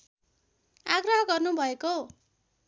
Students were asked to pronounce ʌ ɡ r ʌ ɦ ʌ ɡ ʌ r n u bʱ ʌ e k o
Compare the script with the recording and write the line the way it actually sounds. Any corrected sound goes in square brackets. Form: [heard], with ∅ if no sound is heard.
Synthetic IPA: [a] ɡ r ʌ ɦ ʌ ɡ ʌ r n u bʱ ʌ e k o